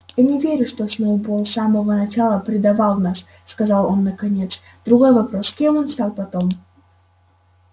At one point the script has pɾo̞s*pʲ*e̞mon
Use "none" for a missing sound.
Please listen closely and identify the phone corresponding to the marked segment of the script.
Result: kʲ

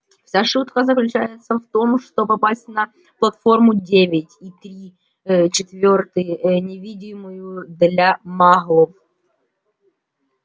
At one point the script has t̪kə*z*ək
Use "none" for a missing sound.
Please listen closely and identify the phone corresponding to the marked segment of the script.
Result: z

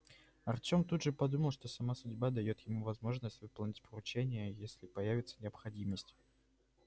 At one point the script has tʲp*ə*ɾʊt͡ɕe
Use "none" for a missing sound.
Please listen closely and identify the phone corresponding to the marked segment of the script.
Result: ə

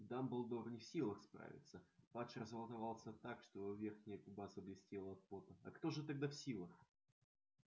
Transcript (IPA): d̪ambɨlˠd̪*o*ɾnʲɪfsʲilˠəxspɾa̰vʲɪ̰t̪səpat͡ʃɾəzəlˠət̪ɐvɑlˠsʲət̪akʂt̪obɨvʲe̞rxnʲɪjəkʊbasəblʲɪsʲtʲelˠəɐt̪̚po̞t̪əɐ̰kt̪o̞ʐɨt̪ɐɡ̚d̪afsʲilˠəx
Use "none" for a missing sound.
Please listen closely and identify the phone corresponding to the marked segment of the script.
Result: o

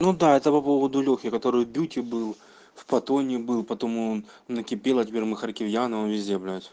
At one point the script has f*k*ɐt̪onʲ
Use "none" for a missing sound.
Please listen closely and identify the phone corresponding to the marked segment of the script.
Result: p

